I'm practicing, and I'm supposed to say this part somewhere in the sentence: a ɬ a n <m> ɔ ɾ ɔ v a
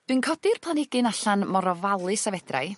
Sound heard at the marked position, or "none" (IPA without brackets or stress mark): m